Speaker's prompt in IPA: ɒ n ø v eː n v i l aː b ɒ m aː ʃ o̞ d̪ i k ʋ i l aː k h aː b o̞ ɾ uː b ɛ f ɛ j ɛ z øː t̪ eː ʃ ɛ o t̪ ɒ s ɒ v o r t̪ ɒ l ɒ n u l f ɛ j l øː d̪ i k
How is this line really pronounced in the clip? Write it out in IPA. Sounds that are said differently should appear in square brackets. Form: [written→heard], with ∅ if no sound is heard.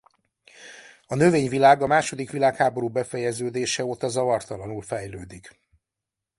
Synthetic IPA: ɒ n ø v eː [n→ɲ] v i l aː [b→ɡ] ɒ m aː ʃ o̞ d̪ i k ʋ i l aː k h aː b o̞ ɾ uː b ɛ f ɛ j ɛ z øː [t̪→d̪] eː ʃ ɛ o t̪ ɒ [s→z] ɒ v [o→ɒ] r t̪ ɒ l ɒ n u l f ɛ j l øː d̪ i k